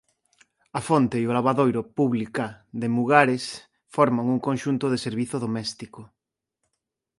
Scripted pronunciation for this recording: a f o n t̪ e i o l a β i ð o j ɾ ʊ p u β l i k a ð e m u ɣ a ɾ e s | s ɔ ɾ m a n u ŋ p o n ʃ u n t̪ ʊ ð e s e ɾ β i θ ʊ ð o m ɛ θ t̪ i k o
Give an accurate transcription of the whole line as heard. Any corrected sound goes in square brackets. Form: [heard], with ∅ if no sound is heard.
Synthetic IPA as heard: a f o n t̪ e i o l a β [a] ð o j ɾ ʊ p u β l i k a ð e m u ɣ a ɾ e s | [f] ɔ ɾ m a [ŋ] u ŋ [k] o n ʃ u n t̪ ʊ ð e s e ɾ β i θ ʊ ð o m ɛ [s] t̪ i k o